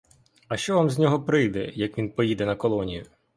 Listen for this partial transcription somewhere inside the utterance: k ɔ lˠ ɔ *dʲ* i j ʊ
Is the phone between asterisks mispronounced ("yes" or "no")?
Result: yes